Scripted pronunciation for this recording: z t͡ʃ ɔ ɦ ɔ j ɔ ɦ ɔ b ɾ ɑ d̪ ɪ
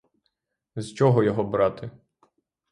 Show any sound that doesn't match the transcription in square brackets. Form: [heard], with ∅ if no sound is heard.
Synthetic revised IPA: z t͡ʃ ɔ ɦ ɔ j ɔ ɦ ɔ b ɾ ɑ [t̪] ɪ